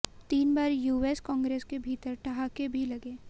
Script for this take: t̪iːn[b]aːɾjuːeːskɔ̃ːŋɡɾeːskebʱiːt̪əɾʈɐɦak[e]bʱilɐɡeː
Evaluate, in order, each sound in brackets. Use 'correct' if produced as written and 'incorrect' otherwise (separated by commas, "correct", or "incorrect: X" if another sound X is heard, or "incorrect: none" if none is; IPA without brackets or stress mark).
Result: correct, correct